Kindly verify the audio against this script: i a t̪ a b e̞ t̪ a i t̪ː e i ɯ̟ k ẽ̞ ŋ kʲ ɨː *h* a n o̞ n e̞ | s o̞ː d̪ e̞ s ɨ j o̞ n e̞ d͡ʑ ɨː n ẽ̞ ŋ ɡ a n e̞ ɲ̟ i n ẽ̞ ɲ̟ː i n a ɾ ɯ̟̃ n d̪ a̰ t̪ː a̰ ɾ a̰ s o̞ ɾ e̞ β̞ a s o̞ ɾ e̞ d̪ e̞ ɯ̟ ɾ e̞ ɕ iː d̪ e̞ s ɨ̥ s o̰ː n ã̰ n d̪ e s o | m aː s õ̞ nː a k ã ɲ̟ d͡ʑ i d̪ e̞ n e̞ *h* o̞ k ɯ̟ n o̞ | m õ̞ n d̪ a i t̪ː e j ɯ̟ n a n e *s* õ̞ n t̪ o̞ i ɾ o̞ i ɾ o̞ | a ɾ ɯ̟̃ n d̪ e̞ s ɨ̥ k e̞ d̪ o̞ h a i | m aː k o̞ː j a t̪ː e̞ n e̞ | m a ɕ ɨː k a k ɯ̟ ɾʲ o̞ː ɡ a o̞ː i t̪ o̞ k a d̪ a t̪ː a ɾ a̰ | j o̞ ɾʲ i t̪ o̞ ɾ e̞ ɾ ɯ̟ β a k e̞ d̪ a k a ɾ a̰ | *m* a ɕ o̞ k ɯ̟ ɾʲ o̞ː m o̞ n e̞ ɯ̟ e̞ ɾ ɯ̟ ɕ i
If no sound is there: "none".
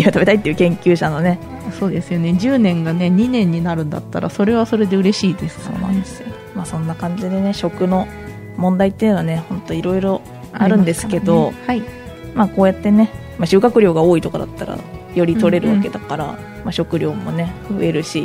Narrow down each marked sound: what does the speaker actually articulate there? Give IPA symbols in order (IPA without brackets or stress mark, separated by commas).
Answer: ɕ, ɕ, h, m